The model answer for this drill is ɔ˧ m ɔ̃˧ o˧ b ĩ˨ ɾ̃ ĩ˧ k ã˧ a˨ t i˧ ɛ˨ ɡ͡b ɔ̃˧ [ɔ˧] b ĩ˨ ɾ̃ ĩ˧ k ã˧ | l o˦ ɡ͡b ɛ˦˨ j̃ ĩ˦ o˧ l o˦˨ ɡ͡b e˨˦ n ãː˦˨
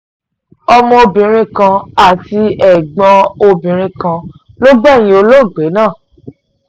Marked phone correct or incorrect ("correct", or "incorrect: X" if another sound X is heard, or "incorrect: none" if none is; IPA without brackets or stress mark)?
incorrect: o˧